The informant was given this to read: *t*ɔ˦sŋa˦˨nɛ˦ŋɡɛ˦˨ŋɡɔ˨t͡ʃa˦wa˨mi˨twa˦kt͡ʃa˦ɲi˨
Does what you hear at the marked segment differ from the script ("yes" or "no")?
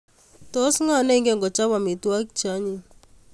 no